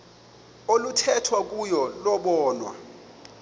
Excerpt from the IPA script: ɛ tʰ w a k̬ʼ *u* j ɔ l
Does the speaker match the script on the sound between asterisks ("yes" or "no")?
yes